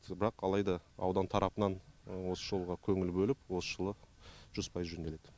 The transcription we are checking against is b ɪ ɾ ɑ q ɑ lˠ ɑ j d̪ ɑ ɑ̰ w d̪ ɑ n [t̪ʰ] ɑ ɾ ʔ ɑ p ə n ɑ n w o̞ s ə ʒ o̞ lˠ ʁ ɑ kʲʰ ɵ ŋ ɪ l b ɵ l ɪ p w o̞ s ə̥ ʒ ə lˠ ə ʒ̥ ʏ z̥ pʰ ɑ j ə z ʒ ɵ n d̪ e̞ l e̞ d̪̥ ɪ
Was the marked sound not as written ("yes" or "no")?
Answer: no